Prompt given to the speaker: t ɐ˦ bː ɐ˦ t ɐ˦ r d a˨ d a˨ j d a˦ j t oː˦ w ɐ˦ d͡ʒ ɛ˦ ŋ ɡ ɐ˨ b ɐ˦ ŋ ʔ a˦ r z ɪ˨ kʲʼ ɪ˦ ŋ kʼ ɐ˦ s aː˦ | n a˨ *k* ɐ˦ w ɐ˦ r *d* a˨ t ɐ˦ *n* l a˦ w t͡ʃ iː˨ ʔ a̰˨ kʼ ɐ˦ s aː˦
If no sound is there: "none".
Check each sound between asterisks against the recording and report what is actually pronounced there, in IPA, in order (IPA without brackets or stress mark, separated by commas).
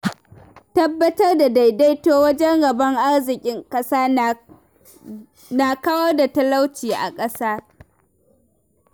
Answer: k, d, none